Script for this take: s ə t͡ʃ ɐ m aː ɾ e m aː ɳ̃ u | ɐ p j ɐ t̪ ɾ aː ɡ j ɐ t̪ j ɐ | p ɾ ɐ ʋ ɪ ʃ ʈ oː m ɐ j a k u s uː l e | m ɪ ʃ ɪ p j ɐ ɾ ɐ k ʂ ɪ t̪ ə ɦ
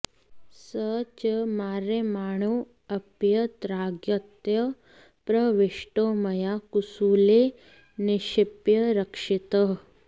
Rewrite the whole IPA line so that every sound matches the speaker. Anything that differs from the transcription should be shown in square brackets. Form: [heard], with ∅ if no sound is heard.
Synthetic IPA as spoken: s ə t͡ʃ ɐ m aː ɾ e m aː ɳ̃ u | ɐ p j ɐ t̪ ɾ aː ɡ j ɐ t̪ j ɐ | p ɾ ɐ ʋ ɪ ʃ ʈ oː m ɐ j a k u s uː l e | [n] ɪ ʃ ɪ p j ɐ ɾ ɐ k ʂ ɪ t̪ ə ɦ